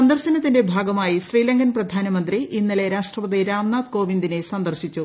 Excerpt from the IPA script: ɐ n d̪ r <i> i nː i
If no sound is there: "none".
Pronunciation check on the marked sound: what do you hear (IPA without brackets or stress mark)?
i